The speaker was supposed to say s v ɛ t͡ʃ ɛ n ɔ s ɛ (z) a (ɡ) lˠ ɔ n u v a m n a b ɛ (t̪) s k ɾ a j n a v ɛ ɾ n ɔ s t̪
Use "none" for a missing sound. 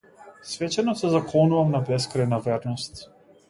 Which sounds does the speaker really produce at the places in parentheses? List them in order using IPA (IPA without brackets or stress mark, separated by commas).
z, k, none